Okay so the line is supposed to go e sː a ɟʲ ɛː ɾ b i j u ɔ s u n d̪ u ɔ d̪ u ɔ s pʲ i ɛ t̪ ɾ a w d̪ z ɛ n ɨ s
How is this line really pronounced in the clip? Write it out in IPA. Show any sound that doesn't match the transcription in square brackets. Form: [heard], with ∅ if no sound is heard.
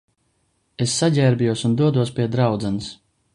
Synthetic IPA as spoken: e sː a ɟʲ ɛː ɾ b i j u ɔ s u n d̪ u ɔ d̪ u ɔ s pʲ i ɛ [d̪] ɾ a w d̪ z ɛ n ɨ s